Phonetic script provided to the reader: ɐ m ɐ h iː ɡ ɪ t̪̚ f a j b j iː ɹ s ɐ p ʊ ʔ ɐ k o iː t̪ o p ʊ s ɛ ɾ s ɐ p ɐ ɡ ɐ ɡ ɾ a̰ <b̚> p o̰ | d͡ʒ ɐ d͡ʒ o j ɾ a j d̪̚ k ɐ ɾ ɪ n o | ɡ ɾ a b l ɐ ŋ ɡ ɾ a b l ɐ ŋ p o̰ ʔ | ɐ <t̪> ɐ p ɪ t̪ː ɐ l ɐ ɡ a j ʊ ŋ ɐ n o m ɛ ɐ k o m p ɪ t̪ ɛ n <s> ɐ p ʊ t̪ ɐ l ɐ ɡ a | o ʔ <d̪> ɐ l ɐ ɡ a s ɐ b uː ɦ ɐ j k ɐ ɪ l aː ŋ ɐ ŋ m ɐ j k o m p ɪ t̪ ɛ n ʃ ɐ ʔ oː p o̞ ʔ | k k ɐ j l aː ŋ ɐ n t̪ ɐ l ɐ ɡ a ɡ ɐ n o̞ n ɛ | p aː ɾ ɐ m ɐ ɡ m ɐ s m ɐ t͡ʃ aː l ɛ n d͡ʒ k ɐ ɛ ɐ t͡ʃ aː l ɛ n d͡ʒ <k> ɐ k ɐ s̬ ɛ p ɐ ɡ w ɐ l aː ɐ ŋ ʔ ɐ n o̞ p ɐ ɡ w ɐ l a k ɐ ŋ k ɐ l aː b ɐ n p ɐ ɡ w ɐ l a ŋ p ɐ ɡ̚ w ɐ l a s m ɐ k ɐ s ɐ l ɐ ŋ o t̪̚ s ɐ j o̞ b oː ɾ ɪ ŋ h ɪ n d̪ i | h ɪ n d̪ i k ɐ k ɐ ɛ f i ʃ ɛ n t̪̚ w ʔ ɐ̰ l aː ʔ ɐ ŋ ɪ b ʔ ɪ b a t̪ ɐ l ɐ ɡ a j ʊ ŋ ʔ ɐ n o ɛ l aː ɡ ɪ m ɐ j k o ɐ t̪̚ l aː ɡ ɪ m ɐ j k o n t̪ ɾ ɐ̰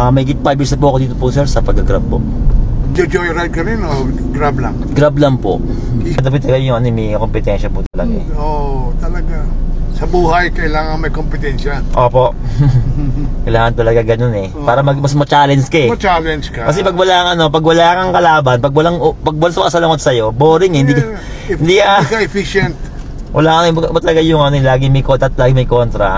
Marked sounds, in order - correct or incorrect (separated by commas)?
correct, incorrect, incorrect, incorrect, correct